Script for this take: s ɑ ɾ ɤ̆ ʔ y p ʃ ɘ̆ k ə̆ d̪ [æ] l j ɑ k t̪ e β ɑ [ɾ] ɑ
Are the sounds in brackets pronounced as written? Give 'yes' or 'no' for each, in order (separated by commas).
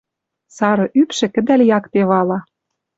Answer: yes, no